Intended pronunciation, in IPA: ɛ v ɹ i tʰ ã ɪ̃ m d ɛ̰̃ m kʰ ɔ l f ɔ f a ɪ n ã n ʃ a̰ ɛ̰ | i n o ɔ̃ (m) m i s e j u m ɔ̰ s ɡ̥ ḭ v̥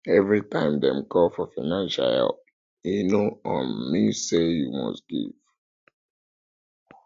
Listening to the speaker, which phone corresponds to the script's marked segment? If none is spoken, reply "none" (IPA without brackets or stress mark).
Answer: n